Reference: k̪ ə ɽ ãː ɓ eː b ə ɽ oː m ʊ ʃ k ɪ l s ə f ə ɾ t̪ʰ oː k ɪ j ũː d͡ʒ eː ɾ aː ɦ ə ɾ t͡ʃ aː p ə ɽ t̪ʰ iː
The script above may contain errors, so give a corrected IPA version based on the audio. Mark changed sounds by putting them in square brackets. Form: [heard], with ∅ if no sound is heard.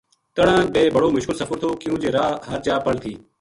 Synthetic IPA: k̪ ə ɽ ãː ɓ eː b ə ɽ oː m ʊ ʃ k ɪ l s ə f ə ɾ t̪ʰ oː k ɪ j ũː d͡ʒ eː ɾ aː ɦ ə ɾ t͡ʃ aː p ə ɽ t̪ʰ iː